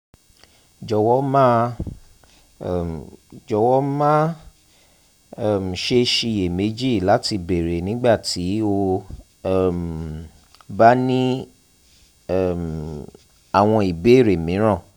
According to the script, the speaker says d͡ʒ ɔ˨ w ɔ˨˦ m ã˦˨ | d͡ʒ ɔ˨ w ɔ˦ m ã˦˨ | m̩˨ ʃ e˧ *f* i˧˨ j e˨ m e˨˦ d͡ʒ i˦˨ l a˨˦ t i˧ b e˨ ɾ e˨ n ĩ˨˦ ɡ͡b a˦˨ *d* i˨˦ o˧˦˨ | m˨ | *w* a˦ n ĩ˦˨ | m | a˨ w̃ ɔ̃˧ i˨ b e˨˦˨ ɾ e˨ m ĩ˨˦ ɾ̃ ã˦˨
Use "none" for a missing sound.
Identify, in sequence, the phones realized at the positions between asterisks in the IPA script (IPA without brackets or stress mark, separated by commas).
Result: ʃ, t, b